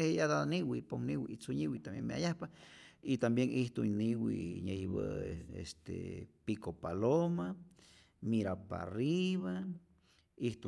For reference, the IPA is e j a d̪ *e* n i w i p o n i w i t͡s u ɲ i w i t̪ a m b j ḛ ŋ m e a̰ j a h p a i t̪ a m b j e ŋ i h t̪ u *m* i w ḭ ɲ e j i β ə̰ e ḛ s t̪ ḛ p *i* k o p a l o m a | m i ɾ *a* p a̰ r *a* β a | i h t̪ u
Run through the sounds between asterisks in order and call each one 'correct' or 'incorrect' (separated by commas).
incorrect, incorrect, correct, correct, incorrect